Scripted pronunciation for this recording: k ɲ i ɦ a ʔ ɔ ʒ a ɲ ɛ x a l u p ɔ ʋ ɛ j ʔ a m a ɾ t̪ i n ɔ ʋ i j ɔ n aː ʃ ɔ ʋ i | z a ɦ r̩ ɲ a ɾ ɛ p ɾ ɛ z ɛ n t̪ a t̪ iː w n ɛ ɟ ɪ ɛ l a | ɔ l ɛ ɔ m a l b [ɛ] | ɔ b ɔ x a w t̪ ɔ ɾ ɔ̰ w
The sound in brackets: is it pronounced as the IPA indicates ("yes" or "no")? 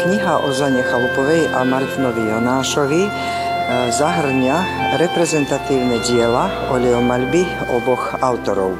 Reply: no